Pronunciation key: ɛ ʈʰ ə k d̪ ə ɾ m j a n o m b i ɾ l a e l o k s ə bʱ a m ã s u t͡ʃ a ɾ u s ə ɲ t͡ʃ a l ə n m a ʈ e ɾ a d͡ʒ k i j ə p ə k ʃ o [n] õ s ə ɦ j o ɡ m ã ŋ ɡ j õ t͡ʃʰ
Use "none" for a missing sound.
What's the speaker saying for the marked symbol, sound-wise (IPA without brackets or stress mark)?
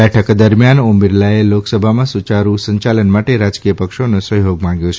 n